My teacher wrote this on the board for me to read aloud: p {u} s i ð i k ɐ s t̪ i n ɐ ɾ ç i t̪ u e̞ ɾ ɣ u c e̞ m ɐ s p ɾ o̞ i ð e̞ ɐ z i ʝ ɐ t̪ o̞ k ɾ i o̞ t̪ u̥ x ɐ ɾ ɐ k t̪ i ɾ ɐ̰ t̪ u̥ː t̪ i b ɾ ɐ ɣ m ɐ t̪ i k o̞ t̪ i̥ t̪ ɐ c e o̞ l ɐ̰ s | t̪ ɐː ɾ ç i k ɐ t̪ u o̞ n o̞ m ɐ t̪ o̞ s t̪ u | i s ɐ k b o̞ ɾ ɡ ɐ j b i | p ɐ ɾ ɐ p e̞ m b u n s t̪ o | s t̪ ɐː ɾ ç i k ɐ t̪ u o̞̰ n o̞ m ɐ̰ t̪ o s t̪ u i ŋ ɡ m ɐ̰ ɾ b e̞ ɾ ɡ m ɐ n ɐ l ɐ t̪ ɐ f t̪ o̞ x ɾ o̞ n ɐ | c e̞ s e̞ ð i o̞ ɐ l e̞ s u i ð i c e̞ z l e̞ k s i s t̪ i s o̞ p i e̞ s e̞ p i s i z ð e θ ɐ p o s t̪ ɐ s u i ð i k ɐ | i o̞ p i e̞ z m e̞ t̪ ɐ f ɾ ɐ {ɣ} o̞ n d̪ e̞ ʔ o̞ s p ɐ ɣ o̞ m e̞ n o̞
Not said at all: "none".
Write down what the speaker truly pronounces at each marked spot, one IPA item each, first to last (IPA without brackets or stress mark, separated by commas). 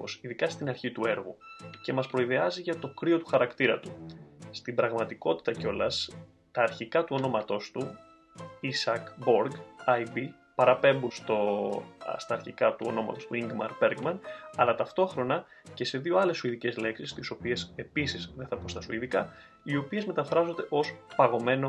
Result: o, z